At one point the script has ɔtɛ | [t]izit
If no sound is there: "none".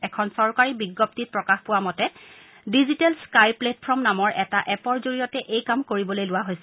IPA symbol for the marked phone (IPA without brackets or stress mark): d